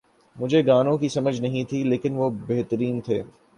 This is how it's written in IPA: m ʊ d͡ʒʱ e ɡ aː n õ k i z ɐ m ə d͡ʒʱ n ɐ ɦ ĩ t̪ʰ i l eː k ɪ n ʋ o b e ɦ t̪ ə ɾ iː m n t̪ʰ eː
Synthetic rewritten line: m ʊ d͡ʒʱ e ɡ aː n õ k i s ɐ m ə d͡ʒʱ n ɐ ɦ ĩ t̪ʰ i l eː k ɪ n ʋ o b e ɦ t̪ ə ɾ iː n t̪ʰ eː

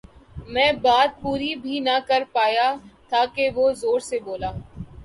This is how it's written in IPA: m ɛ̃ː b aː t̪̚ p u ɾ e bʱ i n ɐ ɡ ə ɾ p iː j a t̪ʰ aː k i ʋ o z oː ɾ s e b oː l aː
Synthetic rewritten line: m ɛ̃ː b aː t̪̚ p uː ɾ i bʱ i n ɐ k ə ɾ p aː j a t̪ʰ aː k e ʋ o z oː ɾ s e b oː l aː

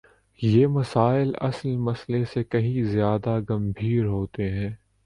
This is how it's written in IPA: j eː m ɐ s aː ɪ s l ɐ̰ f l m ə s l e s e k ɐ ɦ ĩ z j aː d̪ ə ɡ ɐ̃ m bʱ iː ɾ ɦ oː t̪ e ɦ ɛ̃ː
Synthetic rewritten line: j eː m ɐ s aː ɪ l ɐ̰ s l m ɐ s l e s e k ɐ ɦ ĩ z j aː d̪ a ɡ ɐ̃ m bʱ iː ɾ ɦ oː t̪ e ɦ ɛ̃ː

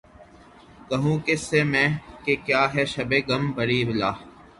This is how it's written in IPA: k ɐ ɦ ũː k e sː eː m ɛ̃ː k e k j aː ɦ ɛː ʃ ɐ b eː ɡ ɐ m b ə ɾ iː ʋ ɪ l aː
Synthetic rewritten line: k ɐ ɦ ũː k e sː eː m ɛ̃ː k e k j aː ɦ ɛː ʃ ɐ b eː ɡ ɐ m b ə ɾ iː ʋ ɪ l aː

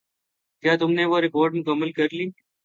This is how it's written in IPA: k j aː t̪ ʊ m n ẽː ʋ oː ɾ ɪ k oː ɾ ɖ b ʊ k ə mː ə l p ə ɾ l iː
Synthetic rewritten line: k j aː t̪ ʊ m n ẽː ʋ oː ɾ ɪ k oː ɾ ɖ m ʊ k ə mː ə l k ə ɾ l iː

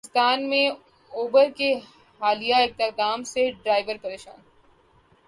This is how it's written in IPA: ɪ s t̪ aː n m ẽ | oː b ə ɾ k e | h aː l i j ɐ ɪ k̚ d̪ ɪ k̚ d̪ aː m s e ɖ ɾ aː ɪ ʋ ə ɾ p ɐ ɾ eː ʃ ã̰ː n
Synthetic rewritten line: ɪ s t̪ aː n m ẽ | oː b ə ɾ k e | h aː l i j a ɪ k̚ t̪ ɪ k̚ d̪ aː m s e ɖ ɾ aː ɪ ʋ ə ɾ p ɐ ɾ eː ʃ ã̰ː n

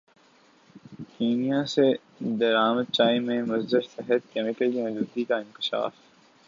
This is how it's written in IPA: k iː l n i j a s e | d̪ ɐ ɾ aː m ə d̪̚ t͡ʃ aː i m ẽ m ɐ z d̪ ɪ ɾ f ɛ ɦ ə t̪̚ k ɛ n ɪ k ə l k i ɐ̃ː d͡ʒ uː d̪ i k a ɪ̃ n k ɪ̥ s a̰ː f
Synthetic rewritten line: k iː n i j a s e | d̪ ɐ ɾ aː m ə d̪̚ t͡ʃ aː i m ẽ m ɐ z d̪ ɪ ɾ s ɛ ɦ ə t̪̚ k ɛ m ɪ k ə l k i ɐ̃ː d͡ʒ uː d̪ i k a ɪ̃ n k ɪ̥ ʃ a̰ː f

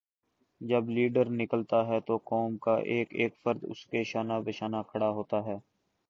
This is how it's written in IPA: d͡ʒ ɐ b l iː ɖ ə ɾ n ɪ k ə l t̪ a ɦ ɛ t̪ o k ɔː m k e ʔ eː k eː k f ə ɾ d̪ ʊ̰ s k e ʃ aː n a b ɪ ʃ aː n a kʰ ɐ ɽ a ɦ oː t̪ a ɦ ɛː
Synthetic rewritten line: d͡ʒ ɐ b l iː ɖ ə ɾ n ɪ k ə l t̪ a ɦ ɛ t̪ o k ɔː m k a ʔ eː k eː k f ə ɾ d̪ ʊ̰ s k e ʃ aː n a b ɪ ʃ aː n a kʰ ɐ ɽ a ɦ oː t̪ a ɦ ɛː

